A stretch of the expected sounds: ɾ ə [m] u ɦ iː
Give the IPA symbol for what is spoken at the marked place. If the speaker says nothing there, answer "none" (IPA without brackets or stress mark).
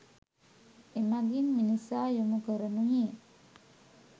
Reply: n